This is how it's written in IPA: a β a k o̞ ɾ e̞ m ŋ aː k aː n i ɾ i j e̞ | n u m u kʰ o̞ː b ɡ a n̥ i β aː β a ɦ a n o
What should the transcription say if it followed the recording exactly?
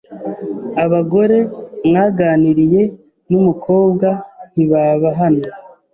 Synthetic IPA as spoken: a β a ɡ o̞ ɾ e̞ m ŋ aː ɡ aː n i ɾ i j e̞ | n u m u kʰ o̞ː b ɡ a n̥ i β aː β a ɦ a n o

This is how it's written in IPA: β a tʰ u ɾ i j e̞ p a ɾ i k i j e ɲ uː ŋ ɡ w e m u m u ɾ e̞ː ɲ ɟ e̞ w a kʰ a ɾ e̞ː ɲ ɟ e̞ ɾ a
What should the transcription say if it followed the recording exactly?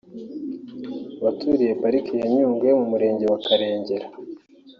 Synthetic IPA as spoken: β a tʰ u ɾ i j e̞ p a ɾ i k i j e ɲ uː ŋ ɡ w e m u m u ɾ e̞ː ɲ ɟ e̞ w a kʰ a ɾ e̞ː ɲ ɟ e̞ ɾ a

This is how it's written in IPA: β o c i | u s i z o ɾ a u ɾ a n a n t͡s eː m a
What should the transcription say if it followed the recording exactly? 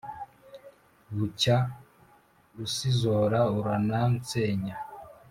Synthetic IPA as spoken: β u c a | u s i z o ɾ a u ɾ a n a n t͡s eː ɲ a

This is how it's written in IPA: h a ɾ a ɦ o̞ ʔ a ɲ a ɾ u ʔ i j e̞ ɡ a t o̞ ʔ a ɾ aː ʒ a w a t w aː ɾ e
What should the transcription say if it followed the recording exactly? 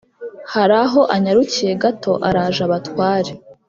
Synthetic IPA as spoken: h a ɾ a ɦ o̞ ʔ a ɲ a ɾ u c i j e̞ ɡ a t o̞ ʔ a ɾ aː ʒ a β a t w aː ɾ e

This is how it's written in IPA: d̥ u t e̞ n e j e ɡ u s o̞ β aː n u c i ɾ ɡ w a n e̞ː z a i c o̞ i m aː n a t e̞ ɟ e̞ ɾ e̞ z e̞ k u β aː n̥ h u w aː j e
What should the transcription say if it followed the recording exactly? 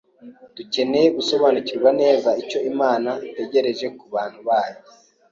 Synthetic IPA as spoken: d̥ u c e̞ n e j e ɡ u s o̞ β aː n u c i ɾ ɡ w a n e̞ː z a i c o̞ i m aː n a t e̞ ɟ e̞ ɾ e̞ ʒ e̞ k u β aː n̥ h u β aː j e

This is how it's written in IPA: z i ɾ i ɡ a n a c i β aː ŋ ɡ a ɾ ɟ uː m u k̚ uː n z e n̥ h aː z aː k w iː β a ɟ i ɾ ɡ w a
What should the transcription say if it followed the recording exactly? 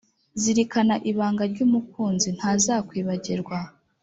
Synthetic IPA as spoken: z i ɾ i k a n a ʔ i β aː ŋ ɡ a ɾ ɟ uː m u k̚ uː n z i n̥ h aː z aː k w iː β a ɟ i ɾ ɡ w a

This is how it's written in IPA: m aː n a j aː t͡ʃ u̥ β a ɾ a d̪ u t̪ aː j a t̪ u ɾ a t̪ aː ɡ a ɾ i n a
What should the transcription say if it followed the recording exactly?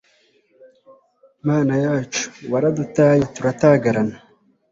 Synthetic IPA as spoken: m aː n a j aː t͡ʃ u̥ w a ɾ a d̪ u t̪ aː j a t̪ u ɾ a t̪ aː ɡ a ɾ a n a

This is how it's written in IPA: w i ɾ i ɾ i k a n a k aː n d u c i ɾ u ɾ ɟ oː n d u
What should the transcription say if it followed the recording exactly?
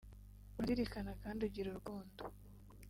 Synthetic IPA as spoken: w a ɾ i ɾ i k a n a k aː n d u ɟ i ɾ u ɾ ɡ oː n d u

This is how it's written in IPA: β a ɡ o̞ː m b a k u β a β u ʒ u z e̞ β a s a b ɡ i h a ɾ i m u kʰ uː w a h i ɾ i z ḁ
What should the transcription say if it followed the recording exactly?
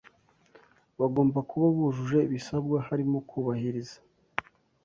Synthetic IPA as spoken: β a ɡ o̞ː m b a k u β a β u ʒ u ʒ e̞ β i s a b ɡ a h a ɾ i m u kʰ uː β a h i ɾ i z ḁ

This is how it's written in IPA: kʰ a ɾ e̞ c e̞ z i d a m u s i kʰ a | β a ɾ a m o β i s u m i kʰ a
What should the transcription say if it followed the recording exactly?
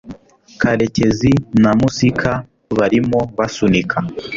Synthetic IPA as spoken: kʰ a ɾ e̞ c e̞ z i n a m u s i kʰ a | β a ɾ i m o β a s u n i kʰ a

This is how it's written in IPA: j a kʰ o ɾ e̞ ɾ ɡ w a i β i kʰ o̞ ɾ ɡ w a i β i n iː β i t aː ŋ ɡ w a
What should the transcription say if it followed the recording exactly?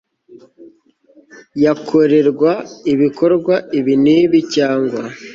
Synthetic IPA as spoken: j a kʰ o ɾ e̞ ɾ ɡ w a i β i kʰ o̞ ɾ ɡ w a i β i n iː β i c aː ŋ ɡ w a

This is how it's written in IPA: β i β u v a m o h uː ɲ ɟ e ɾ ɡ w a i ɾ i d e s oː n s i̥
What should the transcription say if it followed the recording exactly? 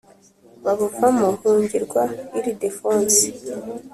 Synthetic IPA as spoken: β a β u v a m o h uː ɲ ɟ i ɾ ɡ w a i ɾ i d e f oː n s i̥

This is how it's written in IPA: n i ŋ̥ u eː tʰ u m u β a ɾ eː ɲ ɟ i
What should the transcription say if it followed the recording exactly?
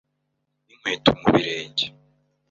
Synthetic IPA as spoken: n i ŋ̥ w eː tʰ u m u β i ɾ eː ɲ ɟ e

